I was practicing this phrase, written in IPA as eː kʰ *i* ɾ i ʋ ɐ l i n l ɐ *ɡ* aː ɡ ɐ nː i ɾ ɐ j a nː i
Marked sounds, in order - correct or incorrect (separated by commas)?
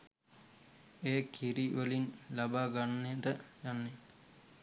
correct, incorrect